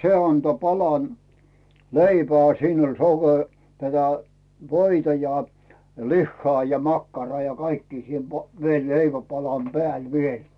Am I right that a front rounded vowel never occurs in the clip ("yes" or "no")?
yes